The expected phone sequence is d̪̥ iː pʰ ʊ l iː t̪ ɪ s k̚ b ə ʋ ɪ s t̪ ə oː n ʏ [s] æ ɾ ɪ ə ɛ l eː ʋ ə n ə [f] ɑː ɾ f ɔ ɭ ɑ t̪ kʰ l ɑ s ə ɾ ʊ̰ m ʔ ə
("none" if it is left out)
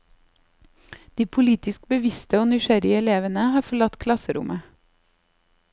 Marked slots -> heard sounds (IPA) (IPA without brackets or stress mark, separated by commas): ʃ, h